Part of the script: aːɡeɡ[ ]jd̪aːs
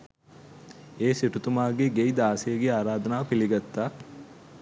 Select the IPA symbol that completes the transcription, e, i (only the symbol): e